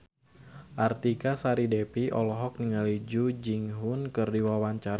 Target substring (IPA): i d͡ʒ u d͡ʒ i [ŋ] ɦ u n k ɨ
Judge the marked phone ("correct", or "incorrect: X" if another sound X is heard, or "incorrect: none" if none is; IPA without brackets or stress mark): correct